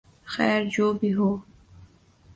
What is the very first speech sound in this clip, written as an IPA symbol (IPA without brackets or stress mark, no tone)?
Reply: x